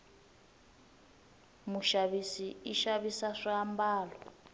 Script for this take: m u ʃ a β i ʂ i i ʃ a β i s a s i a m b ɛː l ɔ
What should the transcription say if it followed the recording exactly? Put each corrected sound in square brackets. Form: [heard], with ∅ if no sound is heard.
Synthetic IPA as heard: m u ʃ a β i [s] i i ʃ a β i s a [ʂ] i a m b [aː] l ɔ

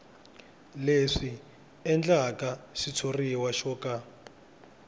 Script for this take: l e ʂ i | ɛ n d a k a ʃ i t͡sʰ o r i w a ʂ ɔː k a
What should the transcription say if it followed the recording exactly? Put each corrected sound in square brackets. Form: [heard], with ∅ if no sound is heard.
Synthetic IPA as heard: l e ʂ i | ɛ n [d͡ɮ] a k a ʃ i t͡sʰ o r i w a [ʃ] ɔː k a

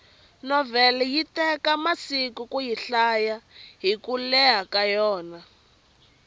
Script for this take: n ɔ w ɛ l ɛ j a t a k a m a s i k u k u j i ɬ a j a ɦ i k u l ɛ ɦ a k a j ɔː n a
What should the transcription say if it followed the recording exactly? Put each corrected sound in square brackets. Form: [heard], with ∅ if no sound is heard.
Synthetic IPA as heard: n ɔ [v] ɛ l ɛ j [i] t [ɛ] k a m a s i k u k u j i ɬ a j a ɦ i k u l ɛ ɦ a k a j ɔː n a

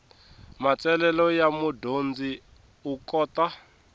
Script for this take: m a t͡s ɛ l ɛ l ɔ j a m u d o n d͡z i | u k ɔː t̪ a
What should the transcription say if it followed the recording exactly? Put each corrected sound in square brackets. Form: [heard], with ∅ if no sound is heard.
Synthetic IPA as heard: m a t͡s ɛ l ɛ l ɔ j a m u d o n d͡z i | u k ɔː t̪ a

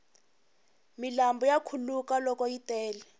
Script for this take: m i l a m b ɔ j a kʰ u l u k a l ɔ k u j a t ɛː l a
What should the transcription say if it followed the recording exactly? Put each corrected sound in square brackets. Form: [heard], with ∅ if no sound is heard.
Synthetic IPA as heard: m i l a m b ɔ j a kʰ u l u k a l ɔ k [ɔ] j [i] t ɛː l [ɛ]

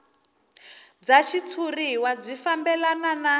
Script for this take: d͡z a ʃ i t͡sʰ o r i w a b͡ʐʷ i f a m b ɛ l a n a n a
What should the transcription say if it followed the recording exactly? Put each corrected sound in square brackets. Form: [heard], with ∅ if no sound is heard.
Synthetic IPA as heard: d͡z a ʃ i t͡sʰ [u] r i w a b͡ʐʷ i f a m b ɛ l a n a n a

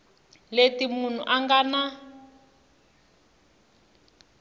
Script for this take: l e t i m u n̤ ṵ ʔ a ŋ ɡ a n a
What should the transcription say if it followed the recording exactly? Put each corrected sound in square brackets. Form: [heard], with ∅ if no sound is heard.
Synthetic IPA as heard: l e t i m u n̤ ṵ ʔ a ŋ ɡ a n a

